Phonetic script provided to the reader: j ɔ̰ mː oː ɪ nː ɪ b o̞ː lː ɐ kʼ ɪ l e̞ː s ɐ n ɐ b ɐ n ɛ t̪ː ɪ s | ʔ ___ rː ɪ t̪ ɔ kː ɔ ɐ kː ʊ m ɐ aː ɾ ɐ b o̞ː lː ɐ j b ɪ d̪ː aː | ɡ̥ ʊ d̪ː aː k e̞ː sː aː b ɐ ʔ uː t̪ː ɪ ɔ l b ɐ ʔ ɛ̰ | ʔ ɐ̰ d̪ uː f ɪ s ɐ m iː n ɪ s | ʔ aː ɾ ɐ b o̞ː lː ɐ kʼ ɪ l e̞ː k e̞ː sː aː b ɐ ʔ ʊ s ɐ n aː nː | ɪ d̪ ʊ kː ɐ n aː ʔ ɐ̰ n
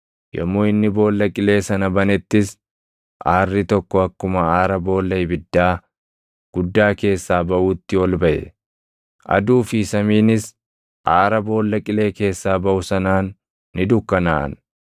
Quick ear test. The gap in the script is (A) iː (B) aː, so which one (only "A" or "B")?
B